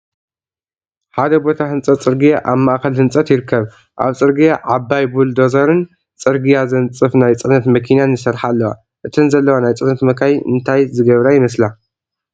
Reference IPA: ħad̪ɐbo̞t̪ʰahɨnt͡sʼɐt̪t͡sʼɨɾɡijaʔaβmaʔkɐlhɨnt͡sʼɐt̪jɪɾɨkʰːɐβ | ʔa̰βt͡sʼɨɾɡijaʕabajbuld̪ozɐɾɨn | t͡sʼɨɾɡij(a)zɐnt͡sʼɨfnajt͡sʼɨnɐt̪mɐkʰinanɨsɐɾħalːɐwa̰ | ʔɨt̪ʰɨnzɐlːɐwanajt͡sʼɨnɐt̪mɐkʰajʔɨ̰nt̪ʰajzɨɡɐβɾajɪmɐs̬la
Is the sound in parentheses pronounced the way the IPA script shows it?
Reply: yes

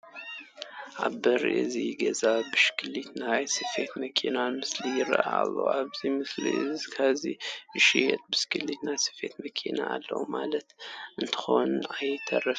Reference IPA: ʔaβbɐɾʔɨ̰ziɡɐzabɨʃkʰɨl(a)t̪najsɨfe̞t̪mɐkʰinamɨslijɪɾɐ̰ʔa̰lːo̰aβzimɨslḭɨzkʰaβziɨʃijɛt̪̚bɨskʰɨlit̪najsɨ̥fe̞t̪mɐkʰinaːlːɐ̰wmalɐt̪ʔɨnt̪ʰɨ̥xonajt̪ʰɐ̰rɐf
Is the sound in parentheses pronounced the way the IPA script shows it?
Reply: no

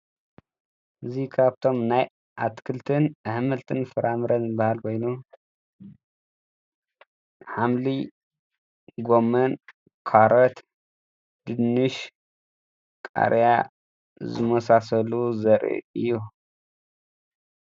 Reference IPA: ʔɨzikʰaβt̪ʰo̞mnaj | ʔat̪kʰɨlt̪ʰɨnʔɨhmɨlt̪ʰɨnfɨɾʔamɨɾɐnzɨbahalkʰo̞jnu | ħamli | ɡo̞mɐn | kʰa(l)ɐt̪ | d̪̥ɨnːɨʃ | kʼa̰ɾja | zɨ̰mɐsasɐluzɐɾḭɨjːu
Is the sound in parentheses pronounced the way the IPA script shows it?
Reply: no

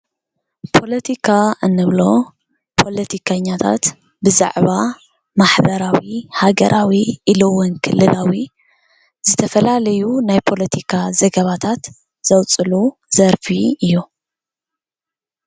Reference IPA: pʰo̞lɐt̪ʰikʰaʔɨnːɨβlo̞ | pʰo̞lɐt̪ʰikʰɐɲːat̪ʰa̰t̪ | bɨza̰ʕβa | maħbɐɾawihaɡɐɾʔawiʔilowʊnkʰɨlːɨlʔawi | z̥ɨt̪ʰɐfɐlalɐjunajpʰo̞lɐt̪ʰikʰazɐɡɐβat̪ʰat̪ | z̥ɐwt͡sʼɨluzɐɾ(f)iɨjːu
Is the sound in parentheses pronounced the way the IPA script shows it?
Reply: yes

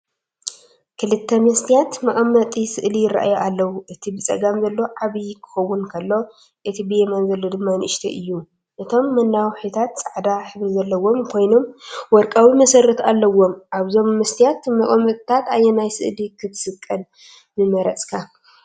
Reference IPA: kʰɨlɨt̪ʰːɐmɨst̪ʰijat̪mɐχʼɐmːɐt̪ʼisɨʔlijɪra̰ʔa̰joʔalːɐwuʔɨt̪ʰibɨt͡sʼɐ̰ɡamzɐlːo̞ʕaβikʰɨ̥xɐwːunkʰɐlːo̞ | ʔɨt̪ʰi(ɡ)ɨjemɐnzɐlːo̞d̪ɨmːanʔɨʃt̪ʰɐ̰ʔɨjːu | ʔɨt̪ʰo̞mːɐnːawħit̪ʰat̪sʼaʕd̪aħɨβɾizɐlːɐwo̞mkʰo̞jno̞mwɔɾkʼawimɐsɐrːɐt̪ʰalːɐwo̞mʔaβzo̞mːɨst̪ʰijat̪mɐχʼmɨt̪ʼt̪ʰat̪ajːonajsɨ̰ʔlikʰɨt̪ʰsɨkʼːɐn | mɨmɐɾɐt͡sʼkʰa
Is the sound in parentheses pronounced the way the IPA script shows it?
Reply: no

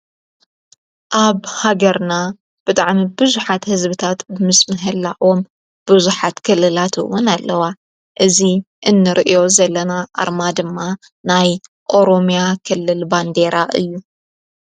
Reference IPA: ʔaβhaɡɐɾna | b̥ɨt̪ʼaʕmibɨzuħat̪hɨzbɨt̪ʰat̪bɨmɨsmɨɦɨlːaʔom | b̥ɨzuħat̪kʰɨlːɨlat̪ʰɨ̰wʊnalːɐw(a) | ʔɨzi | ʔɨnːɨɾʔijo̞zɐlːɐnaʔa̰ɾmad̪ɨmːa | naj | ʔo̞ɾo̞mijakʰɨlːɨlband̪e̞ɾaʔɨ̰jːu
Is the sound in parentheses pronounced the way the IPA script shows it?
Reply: yes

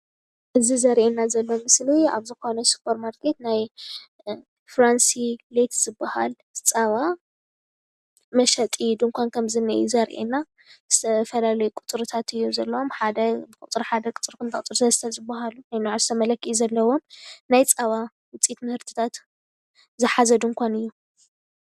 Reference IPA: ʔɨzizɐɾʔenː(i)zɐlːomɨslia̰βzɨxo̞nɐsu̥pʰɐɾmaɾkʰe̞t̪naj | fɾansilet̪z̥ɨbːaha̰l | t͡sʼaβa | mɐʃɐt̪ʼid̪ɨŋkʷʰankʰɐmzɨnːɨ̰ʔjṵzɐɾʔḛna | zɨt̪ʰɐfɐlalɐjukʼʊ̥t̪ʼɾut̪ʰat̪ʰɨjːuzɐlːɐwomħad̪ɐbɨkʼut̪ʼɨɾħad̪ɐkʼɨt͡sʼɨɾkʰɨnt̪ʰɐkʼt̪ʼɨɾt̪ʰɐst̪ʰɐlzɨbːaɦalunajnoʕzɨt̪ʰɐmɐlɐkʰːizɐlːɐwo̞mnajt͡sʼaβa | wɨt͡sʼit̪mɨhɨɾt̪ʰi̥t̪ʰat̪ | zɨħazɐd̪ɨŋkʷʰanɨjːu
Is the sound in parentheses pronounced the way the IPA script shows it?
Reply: no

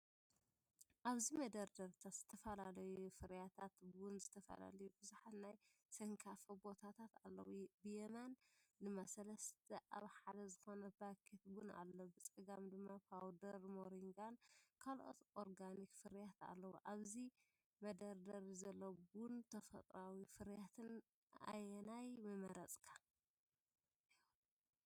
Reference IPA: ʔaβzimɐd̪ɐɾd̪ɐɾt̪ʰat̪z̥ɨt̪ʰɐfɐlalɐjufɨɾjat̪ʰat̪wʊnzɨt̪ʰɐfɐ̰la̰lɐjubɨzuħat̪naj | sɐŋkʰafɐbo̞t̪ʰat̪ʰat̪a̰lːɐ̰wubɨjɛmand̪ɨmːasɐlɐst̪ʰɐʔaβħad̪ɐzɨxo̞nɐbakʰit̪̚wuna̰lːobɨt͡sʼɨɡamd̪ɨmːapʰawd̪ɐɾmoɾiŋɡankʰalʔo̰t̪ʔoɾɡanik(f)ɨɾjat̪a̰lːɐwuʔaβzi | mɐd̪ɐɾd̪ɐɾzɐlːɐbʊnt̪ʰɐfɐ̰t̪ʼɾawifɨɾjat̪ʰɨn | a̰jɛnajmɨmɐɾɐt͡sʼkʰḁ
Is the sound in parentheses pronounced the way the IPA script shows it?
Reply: yes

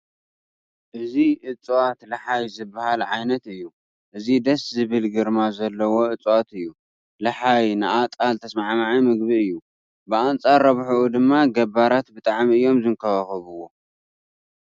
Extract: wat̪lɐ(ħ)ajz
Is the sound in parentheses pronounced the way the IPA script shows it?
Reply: yes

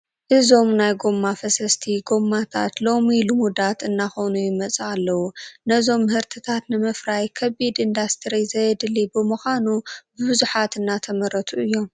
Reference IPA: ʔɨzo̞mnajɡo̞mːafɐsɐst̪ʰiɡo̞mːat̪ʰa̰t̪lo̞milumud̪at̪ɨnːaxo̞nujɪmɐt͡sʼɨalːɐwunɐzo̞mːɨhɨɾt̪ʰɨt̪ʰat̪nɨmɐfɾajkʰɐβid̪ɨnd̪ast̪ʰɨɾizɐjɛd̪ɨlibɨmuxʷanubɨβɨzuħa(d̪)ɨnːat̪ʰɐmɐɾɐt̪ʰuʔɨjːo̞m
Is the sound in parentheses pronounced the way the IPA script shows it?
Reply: no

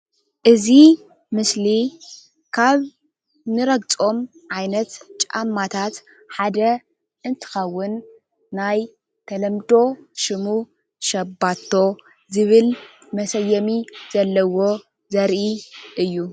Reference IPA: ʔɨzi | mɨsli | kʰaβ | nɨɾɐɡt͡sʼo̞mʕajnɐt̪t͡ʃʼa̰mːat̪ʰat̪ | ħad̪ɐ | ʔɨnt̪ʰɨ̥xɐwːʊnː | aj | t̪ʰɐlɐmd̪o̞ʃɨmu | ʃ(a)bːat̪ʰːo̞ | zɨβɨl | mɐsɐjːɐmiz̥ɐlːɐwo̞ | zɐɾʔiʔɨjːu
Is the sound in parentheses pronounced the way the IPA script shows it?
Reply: no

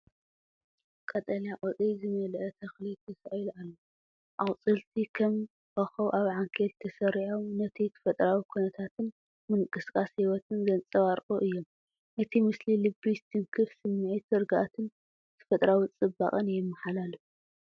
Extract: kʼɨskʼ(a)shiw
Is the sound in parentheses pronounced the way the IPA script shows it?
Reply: yes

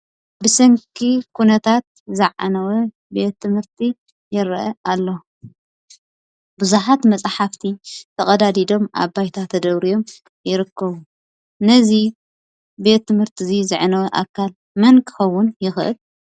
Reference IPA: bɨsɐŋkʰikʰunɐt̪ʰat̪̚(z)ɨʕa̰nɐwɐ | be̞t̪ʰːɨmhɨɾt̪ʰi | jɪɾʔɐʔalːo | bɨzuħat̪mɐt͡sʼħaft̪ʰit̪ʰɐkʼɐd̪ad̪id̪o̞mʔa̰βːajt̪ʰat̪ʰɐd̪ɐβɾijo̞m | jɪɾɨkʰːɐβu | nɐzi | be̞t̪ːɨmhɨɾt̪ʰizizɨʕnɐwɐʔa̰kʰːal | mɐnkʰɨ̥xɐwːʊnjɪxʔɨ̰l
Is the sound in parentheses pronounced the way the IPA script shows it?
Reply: yes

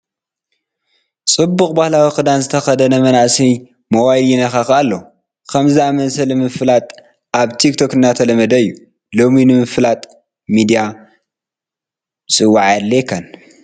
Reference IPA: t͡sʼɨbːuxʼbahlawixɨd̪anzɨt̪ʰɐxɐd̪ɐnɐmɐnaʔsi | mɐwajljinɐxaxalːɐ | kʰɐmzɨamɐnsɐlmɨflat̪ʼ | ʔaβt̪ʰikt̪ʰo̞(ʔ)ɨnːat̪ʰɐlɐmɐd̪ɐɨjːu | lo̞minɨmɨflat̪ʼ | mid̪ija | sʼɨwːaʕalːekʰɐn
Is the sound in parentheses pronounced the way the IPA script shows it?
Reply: no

